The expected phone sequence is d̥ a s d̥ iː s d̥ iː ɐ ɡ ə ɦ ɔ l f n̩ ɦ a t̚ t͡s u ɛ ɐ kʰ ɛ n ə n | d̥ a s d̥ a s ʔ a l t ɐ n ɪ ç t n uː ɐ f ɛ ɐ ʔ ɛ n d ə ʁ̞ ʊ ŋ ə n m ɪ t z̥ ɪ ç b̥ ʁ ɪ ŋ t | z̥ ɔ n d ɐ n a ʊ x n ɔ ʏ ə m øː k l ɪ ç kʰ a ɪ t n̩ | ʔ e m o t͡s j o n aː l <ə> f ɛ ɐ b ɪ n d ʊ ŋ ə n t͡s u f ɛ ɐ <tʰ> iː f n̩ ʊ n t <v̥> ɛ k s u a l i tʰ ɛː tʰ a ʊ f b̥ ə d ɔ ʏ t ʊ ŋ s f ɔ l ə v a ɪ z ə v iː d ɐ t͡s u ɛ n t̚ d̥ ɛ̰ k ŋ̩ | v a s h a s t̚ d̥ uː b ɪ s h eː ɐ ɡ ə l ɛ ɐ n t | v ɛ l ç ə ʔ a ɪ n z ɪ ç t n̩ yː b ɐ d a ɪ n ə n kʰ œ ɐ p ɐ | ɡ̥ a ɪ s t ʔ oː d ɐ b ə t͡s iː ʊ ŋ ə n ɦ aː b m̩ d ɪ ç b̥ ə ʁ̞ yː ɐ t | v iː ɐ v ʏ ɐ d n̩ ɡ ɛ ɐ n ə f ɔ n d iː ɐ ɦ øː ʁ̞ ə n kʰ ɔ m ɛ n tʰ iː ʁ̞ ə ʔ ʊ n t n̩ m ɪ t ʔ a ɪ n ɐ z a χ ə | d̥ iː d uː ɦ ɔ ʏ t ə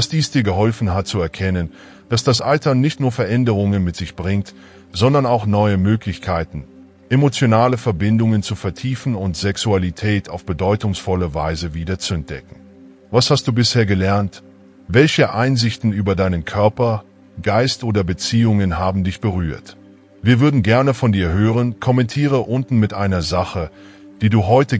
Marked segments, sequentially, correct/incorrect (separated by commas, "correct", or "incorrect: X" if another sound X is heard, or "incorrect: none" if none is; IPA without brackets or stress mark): correct, correct, incorrect: z̥